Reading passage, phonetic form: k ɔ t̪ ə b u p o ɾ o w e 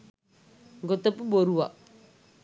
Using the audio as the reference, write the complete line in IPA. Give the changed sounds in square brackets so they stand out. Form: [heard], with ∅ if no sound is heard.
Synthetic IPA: [ɡ] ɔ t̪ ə [p] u [b] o ɾ [u] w [a]